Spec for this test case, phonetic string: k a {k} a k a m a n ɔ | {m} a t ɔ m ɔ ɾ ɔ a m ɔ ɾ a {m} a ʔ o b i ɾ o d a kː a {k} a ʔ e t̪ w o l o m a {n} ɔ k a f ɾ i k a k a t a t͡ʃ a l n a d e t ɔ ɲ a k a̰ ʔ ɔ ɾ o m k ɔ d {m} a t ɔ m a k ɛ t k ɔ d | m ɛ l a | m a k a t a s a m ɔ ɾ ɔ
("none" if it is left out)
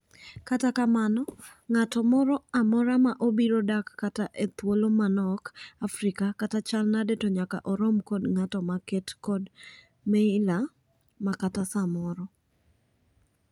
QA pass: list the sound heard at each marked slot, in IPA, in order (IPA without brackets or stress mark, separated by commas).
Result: t, ŋ, m, t, n, ŋ